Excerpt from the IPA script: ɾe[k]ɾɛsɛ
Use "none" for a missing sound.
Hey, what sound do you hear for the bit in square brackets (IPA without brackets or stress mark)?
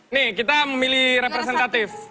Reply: p